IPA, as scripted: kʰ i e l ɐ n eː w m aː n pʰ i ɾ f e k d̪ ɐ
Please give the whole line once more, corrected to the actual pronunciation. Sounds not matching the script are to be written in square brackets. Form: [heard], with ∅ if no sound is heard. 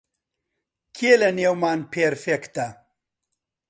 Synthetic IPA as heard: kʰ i e l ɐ n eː w m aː n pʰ [e] ɾ f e k [t̪] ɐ